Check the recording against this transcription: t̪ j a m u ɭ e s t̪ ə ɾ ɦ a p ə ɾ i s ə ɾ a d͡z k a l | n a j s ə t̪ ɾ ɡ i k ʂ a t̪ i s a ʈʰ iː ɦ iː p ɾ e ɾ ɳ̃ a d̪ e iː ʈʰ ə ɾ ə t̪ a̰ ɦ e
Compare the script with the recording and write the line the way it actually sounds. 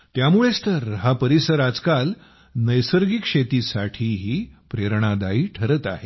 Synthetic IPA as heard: t̪ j a m u ɭ e s t̪ ə ɾ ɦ a p ə ɾ i s ə ɾ a d͡z k a l | n ə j s ə ɾ ɡ i k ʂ e t̪ i s a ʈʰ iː ɦ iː p ɾ e ɾ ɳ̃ a d̪ a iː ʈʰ ə ɾ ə t̪ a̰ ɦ e

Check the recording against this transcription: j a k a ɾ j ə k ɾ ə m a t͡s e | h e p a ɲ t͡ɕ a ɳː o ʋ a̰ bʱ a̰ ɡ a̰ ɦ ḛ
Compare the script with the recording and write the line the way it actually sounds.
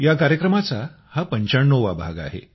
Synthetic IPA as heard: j a k a ɾ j ə k ɾ ə m a t͡s a | h a p ə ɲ t͡ɕ a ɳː o ʋ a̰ bʱ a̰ ɡ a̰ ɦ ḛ

